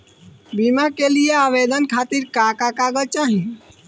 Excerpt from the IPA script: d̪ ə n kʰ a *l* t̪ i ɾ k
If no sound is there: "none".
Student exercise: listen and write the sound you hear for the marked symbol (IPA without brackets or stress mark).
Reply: none